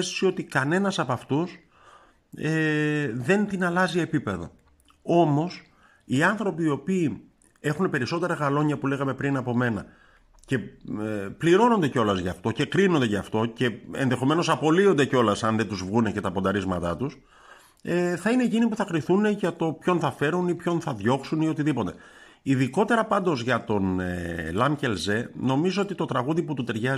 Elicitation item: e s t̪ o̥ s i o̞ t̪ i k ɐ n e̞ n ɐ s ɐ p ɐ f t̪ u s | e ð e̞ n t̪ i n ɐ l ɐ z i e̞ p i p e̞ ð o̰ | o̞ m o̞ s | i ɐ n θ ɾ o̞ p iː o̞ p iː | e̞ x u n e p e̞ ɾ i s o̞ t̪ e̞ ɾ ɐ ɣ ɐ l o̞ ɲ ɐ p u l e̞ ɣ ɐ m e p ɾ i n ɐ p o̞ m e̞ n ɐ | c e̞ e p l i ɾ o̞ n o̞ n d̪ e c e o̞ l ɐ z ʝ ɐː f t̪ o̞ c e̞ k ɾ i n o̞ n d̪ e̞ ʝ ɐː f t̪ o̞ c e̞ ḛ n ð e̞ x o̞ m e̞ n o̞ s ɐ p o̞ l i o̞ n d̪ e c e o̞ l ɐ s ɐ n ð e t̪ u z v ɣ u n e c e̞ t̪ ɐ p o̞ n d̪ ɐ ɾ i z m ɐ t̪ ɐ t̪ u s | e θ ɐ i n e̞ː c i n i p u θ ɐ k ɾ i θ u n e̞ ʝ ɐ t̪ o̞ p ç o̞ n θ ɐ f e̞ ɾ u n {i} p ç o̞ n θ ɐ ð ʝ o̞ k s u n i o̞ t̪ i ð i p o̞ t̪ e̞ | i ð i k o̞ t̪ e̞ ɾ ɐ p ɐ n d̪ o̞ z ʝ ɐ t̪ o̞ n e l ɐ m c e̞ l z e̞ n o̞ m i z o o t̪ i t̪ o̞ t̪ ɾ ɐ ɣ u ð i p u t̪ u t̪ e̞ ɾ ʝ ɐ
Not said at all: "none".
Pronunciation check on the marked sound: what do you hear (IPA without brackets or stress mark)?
i